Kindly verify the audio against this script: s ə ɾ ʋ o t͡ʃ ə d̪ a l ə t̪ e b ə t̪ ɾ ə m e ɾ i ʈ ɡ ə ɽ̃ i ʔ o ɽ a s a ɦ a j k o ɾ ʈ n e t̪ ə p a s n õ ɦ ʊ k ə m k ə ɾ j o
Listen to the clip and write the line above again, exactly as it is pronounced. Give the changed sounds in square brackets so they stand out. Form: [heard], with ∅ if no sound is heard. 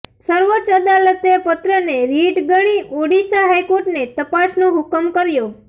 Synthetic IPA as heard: s ə ɾ ʋ o t͡ʃ ə d̪ a l ə t̪ e [p] ə t̪ ɾ ə [n] e ɾ i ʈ ɡ ə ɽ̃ i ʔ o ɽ [i] s a ɦ a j k o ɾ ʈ n e t̪ ə p a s n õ ɦ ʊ k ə m k ə ɾ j o